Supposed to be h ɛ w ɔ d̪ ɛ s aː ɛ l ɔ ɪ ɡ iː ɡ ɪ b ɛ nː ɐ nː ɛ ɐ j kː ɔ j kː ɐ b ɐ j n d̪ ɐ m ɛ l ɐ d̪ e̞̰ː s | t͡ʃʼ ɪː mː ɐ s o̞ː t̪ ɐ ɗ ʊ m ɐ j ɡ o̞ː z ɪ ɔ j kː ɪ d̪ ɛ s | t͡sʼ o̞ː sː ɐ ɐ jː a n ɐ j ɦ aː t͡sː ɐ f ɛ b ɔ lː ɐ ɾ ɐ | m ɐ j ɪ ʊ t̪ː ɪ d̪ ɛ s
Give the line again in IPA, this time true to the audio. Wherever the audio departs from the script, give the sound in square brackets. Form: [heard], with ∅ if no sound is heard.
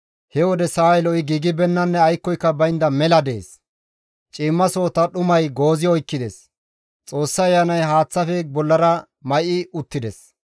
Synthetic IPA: h ɛ w ɔ d̪ ɛ s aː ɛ l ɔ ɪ ɡ iː ɡ ɪ b ɛ nː ɐ nː ɛ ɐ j kː ɔ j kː ɐ b ɐ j n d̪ ɐ m ɛ l ɐ d̪ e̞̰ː s | t͡ʃʼ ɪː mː ɐ s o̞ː t̪ ɐ ɗ ʊ m ɐ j ɡ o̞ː z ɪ ɔ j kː ɪ d̪ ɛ s | t͡sʼ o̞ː sː ɐ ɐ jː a n ɐ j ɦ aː t͡sː ɐ f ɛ b ɔ lː ɐ ɾ ɐ | m ɐ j ɪ ʊ t̪ː ɪ d̪ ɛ s